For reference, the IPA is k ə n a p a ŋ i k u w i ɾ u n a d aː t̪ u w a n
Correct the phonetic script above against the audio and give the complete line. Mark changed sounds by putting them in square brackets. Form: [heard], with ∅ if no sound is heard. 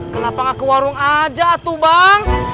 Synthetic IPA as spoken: k ə n a p a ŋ [a] k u w [a] ɾ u [ŋ] a [d͡ʒ] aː t̪ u [b] a [ŋ]

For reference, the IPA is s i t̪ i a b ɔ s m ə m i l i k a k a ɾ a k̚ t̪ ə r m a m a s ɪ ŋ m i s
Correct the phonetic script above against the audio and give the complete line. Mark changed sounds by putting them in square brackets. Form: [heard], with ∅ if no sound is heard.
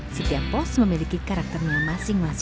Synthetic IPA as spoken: s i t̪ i a [p] ɔ s m ə m i l i k [i] k a ɾ a k̚ t̪ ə r [ɲ] a m a s ɪ ŋ m [a] s

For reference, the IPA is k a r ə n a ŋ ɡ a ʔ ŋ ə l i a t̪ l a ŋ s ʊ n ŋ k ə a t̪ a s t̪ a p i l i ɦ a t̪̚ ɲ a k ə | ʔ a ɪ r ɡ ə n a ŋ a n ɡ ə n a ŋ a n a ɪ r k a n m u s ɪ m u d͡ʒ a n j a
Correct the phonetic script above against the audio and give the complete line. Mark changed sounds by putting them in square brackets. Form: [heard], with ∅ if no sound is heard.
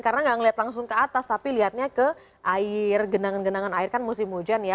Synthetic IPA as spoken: k a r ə n a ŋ ɡ a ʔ ŋ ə l i a t̪ l a ŋ s ʊ [∅] ŋ k ə a t̪ a s t̪ a p i l i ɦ a t̪̚ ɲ a k ə | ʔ a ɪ r ɡ ə n a ŋ a n ɡ ə n a ŋ a n a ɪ r k a n m u s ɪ m u d͡ʒ a n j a

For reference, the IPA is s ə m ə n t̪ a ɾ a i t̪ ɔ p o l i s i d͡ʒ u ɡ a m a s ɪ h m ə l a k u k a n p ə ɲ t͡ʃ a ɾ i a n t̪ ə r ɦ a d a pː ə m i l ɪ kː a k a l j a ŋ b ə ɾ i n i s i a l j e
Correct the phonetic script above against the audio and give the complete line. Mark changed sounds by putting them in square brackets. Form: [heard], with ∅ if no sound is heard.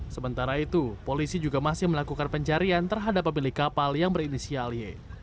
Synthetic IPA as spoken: s ə m ə n t̪ a ɾ a i t̪ [u] p o l i s i d͡ʒ u ɡ a m a s ɪ h m ə l a k u k a n p ə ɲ t͡ʃ a ɾ i a n t̪ ə r ɦ a d a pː ə m i l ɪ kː a [p] a l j a ŋ b ə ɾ i n i s i a l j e

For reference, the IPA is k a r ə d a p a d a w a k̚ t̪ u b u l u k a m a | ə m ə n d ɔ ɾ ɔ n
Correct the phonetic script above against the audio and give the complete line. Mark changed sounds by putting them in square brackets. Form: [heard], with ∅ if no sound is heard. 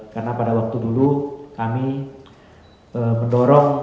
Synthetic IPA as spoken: k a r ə [n] a p a d a w a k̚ t̪ u [d] u l u k a m [i] | ə m ə n d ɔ ɾ ɔ [ŋ]

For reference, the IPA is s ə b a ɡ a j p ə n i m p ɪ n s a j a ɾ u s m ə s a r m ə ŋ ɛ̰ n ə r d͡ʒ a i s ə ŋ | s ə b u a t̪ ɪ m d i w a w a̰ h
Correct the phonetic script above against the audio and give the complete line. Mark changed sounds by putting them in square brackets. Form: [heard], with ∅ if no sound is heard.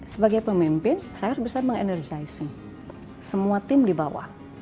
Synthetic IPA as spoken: s ə b a ɡ a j p ə [m] i m p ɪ n s a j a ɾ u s [b] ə s a r m ə ŋ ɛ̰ n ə r d͡ʒ a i s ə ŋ | s ə [m] u a t̪ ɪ m d i [b] a w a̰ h

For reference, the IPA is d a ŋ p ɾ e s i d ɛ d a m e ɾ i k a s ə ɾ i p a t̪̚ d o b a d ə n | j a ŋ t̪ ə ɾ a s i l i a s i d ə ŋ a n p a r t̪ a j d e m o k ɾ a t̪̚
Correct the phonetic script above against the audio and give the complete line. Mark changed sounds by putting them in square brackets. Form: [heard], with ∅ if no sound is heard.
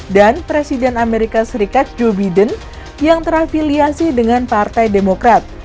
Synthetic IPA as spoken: d a [n] p ɾ e s i d ɛ [n] a m e ɾ i k a s ə ɾ i [k] a t̪̚ [d͡ʒ] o b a d ə n | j a ŋ t̪ ə ɾ a [f] i l i a s i d ə ŋ a n p a r t̪ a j d e m o k ɾ a t̪̚

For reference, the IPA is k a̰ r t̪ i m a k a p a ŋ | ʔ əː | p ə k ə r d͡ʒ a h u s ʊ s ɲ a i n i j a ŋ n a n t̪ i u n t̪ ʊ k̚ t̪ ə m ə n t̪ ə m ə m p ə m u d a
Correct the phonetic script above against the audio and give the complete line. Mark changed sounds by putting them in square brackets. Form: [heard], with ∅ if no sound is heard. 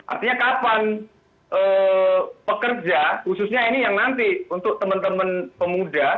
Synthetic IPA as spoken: [ʔ] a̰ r t̪ i [ɲ] a k a p a [n] | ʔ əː | p ə k ə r d͡ʒ a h u s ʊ s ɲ a i n i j a ŋ n a n t̪ i u n t̪ ʊ k̚ t̪ ə m ə n t̪ ə m ə [n] p ə m u d a

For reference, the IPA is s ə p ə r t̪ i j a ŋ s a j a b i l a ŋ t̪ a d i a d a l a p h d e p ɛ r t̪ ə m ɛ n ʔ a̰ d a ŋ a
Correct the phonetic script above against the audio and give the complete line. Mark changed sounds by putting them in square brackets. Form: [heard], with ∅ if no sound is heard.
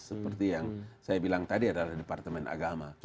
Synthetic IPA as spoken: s ə p ə r t̪ i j a ŋ s a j a b i l a ŋ t̪ a d i a d a l a [∅] h d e p [a] r t̪ ə m ɛ n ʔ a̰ [ɡ] a [m] a

